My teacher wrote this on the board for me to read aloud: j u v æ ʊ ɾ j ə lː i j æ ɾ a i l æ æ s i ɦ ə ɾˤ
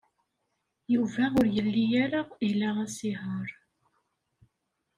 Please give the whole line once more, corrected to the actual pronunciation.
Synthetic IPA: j u v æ ʊ ɾ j ə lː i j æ ɾ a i l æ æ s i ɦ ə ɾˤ